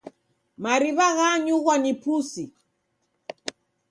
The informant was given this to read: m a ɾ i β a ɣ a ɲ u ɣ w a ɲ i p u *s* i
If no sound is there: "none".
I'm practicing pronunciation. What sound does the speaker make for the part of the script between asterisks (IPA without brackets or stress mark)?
s